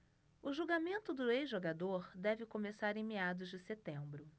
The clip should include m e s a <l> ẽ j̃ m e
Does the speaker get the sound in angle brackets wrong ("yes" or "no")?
yes